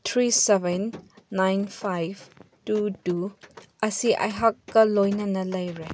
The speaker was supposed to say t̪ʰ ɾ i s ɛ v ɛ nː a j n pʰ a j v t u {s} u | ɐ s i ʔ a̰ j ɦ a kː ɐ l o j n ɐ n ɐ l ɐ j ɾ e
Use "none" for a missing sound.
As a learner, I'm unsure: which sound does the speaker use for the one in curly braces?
t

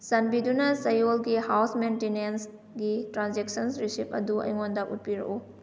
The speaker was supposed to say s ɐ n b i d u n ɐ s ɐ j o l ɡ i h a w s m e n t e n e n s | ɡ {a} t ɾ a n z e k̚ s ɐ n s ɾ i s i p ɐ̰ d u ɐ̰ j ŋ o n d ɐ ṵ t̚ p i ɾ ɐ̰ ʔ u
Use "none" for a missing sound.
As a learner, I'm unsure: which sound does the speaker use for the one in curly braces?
i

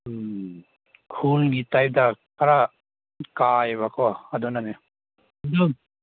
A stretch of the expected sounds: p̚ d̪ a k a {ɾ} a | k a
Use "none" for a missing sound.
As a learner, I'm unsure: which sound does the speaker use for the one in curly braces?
ɾ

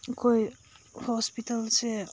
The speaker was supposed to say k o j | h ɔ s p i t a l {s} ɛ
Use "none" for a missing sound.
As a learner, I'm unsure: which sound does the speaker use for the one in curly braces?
s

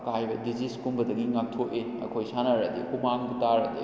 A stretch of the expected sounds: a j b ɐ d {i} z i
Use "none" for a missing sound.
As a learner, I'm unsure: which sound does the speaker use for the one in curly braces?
i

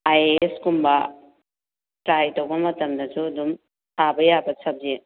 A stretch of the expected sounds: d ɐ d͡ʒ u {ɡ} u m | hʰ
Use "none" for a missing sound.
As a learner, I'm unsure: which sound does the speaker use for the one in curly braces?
d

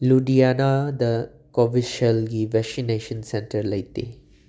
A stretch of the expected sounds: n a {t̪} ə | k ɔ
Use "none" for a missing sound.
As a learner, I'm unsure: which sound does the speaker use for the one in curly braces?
d̪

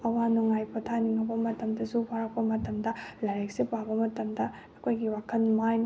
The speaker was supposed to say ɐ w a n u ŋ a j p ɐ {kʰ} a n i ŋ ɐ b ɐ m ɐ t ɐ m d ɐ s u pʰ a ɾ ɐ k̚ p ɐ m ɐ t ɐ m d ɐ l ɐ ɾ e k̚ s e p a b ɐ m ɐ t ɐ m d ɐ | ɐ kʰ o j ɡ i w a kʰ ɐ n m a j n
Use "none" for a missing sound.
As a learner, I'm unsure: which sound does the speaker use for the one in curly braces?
tʰ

